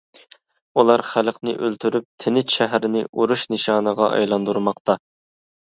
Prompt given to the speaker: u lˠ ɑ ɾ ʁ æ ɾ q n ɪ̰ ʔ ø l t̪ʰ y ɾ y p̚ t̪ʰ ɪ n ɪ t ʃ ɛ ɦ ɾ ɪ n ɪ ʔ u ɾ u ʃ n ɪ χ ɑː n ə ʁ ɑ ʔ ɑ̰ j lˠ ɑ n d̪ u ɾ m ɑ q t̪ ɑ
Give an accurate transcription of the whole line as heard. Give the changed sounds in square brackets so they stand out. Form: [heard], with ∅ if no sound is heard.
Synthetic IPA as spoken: u lˠ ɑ ɾ [χ] æ [l] q n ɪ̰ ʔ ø l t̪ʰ y ɾ y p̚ t̪ʰ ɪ n ɪ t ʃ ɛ ɦ ɾ ɪ n ɪ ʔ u ɾ u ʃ n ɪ [ʃ] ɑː n ə ʁ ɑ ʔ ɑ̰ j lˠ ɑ n d̪ u ɾ m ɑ q t̪ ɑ